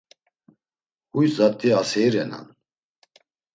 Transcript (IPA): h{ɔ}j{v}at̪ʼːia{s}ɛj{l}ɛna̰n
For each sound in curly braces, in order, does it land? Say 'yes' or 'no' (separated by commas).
no, no, yes, no